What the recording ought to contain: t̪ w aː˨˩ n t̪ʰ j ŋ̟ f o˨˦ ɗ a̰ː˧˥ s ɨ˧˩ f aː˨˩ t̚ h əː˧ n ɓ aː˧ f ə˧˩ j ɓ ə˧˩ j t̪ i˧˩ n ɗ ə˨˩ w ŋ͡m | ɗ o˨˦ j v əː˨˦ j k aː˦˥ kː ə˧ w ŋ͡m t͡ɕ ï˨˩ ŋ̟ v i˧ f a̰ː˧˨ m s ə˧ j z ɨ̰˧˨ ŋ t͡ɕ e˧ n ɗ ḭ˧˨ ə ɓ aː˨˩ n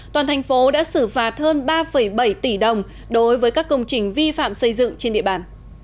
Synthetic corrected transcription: t̪ w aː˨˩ n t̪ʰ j ŋ̟ f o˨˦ ɗ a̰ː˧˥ s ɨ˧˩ f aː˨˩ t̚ h əː˧ n ɓ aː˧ f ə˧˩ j ɓ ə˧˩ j t̪ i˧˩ ɗ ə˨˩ w ŋ͡m | ɗ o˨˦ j v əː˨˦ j k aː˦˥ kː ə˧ w ŋ͡m t͡ɕ ï˨˩ ŋ̟ v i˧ f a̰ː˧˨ m s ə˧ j z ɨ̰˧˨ ŋ t͡ɕ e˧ n ɗ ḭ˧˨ ə ɓ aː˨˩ n